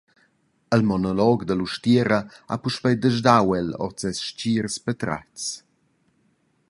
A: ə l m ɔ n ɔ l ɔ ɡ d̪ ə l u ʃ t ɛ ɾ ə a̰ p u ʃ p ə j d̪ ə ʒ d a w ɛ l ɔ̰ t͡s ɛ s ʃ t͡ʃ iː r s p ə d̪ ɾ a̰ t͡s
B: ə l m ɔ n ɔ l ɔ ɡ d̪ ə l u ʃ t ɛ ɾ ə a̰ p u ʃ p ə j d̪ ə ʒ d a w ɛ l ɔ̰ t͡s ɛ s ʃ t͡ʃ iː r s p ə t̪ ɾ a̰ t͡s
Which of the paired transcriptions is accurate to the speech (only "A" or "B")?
B